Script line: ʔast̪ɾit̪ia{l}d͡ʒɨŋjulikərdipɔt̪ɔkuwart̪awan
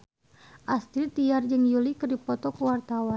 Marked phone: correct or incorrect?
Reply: incorrect